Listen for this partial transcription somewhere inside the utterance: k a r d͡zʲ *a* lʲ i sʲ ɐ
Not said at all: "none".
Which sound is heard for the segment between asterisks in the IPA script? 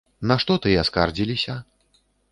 i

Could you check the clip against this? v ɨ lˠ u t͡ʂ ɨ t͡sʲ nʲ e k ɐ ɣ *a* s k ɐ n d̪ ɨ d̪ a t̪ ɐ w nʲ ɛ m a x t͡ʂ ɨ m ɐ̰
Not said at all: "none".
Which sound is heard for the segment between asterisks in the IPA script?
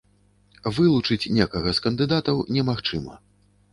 ɐ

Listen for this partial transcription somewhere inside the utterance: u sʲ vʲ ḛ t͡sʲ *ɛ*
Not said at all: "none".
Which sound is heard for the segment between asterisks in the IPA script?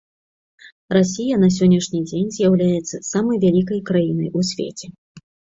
ɛ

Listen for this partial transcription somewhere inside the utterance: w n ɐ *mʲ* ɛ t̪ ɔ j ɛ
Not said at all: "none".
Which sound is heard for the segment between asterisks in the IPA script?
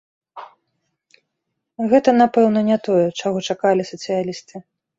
nʲ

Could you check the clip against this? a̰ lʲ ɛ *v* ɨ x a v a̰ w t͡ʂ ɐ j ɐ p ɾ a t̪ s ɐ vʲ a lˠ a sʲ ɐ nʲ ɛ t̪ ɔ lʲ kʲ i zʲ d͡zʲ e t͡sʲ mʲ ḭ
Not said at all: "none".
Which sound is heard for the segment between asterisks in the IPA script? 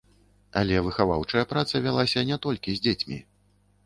v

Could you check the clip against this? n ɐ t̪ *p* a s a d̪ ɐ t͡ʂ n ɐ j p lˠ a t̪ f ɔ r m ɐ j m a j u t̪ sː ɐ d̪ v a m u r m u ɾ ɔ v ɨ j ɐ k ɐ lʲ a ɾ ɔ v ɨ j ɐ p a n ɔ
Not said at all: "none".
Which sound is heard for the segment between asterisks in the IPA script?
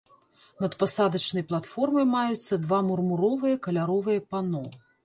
p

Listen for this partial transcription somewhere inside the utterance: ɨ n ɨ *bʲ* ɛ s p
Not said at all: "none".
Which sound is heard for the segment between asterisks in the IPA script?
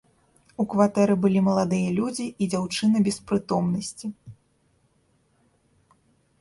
bʲ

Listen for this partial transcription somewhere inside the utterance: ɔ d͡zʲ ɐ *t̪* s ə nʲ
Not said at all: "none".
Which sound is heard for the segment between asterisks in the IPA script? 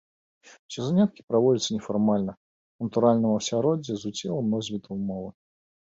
t̪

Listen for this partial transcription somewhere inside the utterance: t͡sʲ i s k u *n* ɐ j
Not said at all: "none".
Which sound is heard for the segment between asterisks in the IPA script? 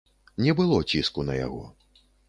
n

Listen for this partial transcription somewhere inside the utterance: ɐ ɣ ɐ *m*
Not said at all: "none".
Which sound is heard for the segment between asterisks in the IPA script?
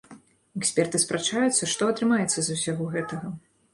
none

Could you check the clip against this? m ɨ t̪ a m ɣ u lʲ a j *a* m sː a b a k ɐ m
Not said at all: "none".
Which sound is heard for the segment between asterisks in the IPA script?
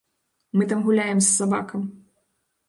ɛ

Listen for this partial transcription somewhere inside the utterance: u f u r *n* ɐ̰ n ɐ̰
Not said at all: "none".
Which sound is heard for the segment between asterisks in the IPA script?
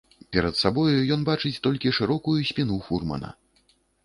m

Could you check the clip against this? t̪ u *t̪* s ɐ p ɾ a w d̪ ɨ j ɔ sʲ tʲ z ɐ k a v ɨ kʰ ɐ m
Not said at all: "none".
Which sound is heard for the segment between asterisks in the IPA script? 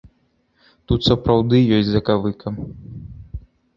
t̪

